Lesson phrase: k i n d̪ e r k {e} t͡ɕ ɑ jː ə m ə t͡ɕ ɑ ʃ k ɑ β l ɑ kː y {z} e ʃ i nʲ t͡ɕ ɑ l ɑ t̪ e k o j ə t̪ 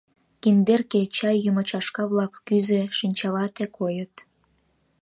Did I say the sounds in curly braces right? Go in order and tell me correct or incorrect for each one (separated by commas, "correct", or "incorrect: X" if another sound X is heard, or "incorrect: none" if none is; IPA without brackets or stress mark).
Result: correct, correct